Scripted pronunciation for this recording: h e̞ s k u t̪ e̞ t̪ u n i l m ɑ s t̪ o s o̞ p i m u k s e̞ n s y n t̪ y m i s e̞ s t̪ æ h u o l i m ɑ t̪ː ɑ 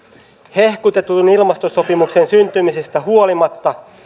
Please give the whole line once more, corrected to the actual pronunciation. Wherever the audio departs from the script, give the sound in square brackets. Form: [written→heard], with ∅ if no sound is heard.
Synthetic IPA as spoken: h e̞ [s→h] k u t̪ e̞ t̪ u n i l m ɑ s t̪ o s o̞ p i m u k s e̞ n s y n t̪ y m i s e̞ s t̪ æ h u o l i m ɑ t̪ː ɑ